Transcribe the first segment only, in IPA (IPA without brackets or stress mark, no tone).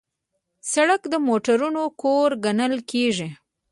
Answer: s